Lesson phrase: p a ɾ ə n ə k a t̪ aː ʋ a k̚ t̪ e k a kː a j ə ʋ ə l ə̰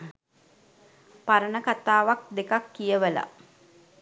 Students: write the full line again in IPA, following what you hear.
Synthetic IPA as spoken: p a ɾ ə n ə k a t̪ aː ʋ a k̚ d̪ e k a kː i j ə ʋ ə l a̰